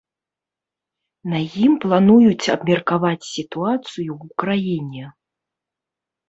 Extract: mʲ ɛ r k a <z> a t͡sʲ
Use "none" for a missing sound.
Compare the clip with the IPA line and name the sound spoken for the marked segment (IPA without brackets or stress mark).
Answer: v